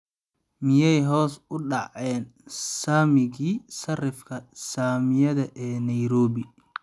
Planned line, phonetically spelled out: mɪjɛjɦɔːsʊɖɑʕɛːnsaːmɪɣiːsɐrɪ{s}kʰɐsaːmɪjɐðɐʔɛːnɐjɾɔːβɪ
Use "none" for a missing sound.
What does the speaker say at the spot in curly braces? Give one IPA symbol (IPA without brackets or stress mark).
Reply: f